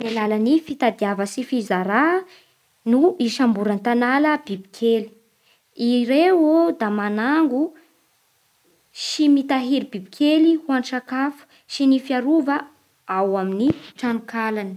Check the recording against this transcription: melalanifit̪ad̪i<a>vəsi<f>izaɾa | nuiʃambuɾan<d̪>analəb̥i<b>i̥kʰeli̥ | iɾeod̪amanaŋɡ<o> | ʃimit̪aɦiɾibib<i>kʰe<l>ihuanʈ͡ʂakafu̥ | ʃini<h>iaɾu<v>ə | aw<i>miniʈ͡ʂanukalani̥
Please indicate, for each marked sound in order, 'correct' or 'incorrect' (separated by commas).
correct, correct, incorrect, correct, incorrect, correct, correct, incorrect, correct, incorrect